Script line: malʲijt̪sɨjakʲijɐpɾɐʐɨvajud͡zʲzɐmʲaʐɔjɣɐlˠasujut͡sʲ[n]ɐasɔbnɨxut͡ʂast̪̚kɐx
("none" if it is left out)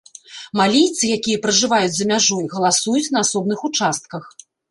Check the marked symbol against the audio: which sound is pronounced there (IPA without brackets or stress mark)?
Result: n